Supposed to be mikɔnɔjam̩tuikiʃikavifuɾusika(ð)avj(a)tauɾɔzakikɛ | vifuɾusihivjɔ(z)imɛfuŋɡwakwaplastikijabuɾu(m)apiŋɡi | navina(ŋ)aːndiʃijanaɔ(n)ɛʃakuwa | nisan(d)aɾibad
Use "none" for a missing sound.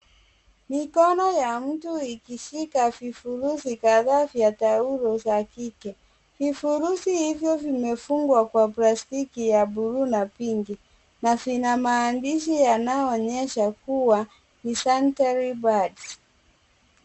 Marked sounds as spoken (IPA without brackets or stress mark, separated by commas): ð, a, v, n, m, ɲ, t